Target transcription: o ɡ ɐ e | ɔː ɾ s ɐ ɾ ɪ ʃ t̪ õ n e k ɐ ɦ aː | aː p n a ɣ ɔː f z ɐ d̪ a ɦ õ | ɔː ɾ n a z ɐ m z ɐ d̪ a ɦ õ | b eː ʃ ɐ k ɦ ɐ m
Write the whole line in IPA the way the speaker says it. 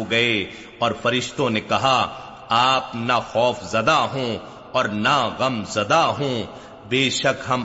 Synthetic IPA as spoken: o ɡ ɐ e | ɔː ɾ f ɐ ɾ ɪ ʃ t̪ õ n e k ɐ ɦ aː | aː p n a x ɔː f z ɐ d̪ a ɦ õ | ɔː ɾ n a ɣ ɐ m z ɐ d̪ a ɦ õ | b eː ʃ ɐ k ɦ ɐ m